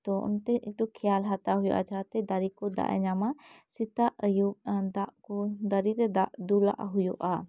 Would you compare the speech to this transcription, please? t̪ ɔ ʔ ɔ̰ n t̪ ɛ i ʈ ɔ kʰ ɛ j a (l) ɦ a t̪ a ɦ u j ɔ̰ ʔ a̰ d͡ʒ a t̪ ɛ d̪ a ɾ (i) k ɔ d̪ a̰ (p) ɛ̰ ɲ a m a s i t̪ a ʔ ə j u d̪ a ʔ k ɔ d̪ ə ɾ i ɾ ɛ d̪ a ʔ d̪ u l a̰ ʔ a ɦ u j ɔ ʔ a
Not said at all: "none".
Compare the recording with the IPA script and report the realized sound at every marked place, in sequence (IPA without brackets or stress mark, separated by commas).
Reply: l, i, ʔ